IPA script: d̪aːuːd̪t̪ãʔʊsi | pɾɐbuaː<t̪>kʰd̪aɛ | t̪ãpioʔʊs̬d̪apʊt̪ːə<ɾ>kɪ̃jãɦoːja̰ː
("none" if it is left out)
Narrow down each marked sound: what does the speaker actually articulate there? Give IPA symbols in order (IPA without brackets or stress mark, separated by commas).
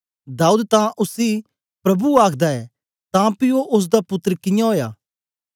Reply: none, ɾ